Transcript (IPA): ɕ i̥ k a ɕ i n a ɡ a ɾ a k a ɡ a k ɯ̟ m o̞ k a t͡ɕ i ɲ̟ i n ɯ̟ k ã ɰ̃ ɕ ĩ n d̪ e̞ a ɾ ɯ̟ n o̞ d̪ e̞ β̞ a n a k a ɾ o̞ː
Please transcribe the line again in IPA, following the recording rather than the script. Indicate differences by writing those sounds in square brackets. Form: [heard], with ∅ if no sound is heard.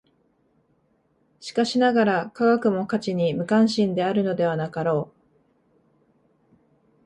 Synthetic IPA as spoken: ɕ i̥ k a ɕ i n a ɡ a ɾ a k a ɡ a k ɯ̟ m o̞ k a t͡ɕ i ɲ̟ i [m] ɯ̟ k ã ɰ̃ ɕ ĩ n d̪ e̞ a ɾ ɯ̟ n o̞ d̪ e̞ β̞ a n a k a ɾ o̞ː